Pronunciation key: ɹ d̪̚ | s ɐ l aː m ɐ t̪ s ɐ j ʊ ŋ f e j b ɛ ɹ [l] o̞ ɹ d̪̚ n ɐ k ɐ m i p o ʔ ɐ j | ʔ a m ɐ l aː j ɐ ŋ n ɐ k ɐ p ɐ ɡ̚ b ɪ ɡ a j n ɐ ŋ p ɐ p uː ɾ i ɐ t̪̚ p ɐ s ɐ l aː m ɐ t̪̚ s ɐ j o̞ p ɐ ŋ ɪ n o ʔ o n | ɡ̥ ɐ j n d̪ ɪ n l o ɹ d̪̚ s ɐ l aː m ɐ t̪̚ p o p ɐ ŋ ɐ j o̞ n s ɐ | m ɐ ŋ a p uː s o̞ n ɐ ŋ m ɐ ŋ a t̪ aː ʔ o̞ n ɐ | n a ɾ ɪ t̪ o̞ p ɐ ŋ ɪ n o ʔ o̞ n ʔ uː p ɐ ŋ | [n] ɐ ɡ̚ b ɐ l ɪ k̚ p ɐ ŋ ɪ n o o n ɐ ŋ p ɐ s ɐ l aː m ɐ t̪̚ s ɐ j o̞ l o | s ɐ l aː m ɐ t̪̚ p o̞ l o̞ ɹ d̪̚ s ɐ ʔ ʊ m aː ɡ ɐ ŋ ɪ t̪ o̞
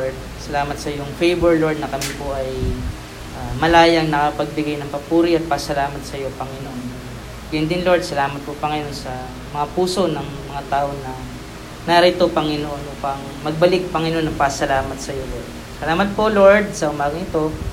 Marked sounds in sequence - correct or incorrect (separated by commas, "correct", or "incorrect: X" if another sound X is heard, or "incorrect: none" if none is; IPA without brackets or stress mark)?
correct, incorrect: m